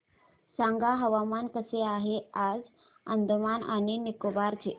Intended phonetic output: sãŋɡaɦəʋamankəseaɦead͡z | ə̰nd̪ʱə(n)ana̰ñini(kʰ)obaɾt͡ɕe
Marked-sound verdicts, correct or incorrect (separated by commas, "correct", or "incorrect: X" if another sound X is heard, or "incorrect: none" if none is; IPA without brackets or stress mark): incorrect: m, incorrect: k